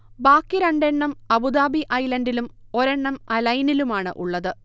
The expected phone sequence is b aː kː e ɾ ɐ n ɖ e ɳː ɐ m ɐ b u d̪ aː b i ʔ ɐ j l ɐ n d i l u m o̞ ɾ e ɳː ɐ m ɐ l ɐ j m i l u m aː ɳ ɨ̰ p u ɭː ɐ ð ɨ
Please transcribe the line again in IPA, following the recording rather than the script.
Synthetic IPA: b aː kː i ɾ ɐ ɳ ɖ e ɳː ɐ m ɐ b u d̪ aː b i ʔ ɐ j l ɐ n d i l u m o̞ ɾ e ɳː ɐ m ɐ l ɐ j n i l u m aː ɳ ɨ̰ ʔ u ɭː ɐ ð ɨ